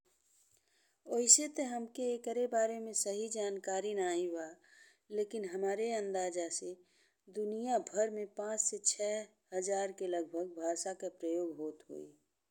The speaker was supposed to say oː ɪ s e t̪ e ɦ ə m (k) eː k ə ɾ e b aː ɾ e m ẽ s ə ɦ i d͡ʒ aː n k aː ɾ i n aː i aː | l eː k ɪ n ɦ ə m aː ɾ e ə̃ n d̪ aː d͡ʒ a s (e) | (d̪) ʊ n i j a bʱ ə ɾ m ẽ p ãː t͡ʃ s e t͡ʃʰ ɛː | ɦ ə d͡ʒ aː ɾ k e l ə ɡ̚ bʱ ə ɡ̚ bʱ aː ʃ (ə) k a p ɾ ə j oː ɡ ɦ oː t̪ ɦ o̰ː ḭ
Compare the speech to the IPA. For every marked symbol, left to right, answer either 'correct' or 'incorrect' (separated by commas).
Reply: correct, correct, correct, incorrect